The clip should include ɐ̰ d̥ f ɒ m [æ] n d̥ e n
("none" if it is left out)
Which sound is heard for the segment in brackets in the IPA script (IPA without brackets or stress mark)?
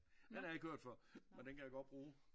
e